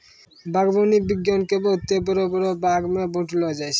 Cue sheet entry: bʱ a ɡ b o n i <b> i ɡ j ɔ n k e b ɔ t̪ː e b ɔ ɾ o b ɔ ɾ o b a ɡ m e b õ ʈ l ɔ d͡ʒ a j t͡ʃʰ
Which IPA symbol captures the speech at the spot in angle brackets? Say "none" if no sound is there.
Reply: b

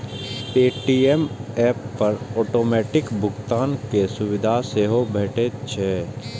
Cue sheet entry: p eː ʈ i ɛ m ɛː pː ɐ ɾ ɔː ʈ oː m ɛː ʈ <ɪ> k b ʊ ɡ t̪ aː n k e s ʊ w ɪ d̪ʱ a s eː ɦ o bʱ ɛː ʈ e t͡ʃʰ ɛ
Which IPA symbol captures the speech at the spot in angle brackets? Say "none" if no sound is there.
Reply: ɪ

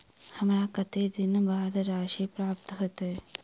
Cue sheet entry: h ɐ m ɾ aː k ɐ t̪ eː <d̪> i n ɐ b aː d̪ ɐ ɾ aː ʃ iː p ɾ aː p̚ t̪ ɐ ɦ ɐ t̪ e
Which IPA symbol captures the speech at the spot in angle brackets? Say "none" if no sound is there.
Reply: d̪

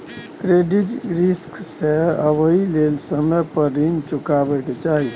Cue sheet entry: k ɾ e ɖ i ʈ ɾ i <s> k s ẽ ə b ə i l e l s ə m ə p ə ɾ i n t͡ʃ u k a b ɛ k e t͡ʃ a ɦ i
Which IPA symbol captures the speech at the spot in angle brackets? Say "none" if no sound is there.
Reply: s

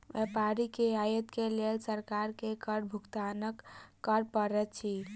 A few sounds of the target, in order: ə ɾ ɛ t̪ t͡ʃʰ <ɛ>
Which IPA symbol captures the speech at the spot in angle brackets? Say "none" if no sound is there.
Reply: i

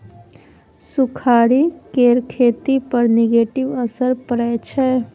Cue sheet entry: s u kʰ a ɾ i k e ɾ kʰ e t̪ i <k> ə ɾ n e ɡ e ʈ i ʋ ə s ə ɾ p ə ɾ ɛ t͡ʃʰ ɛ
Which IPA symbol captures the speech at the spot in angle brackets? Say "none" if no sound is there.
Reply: p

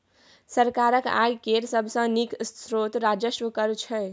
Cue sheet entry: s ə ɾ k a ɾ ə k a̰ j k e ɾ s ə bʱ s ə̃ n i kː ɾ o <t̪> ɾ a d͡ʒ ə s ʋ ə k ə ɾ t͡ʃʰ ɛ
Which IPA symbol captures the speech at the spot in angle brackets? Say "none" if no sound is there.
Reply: t̪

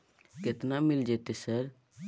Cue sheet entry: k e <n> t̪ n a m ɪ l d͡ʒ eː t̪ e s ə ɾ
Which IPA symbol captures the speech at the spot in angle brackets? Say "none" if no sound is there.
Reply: none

